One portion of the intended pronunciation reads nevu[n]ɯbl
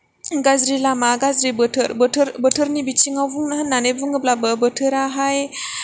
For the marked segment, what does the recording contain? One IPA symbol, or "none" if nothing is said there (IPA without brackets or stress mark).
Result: ŋ